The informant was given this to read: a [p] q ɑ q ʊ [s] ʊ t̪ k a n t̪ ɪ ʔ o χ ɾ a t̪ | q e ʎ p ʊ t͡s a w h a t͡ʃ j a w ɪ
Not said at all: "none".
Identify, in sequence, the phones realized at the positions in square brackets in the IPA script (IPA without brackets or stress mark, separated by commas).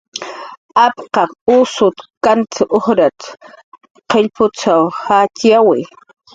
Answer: p, s